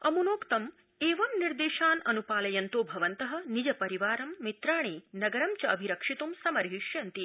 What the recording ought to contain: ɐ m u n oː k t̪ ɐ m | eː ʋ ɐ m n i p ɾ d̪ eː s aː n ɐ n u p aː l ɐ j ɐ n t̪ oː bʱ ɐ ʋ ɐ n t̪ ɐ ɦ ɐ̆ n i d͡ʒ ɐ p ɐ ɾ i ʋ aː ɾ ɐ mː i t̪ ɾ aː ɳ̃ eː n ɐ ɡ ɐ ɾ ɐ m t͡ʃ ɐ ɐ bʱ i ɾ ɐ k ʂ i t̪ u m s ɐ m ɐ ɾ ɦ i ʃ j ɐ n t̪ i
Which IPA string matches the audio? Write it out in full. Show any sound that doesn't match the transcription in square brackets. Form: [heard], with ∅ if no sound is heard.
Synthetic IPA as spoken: ɐ m u n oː k t̪ ɐ m | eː ʋ ɐ m n i [∅] ɾ d̪ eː [ʃ] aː n ɐ n u p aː l ɐ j ɐ n t̪ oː bʱ ɐ ʋ ɐ n t̪ ɐ ɦ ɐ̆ n i d͡ʒ ɐ p ɐ ɾ i ʋ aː ɾ ɐ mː i t̪ ɾ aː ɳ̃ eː n ɐ ɡ ɐ ɾ ɐ m t͡ʃ ɐ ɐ bʱ i ɾ ɐ k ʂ i t̪ u m s ɐ m ɐ ɾ ɦ i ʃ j ɐ n t̪ i